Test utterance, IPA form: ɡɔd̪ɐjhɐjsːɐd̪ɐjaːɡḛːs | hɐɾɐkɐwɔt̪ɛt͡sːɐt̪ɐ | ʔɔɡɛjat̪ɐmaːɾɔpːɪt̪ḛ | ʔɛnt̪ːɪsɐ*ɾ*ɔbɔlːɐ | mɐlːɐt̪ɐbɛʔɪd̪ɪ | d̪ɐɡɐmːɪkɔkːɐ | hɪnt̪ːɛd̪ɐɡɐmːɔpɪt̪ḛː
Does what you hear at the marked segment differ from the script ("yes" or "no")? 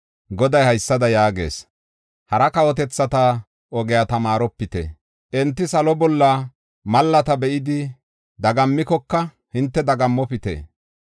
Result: yes